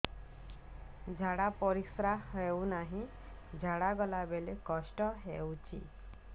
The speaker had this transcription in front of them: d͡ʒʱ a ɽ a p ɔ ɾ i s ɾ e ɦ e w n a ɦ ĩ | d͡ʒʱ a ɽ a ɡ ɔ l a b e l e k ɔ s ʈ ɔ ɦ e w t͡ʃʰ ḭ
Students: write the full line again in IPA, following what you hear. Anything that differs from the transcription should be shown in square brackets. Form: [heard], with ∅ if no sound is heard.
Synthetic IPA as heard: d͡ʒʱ a ɽ a p ɔ ɾ i s ɾ [a] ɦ e w n a ɦ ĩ | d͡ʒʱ a ɽ a ɡ ɔ l a b e l e k ɔ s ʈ ɔ ɦ e w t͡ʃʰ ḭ